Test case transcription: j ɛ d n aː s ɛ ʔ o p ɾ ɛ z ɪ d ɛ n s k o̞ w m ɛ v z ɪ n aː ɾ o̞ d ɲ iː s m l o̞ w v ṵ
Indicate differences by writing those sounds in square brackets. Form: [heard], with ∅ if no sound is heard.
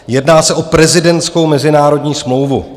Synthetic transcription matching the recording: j ɛ d n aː s ɛ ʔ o p ɾ ɛ z ɪ d ɛ n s k o̞ w m ɛ [∅] z ɪ n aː ɾ o̞ d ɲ iː s m l o̞ w v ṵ